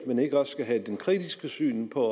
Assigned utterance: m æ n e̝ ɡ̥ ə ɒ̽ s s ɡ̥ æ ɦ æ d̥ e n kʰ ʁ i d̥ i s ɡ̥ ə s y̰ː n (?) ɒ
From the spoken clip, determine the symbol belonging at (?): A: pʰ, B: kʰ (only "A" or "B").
A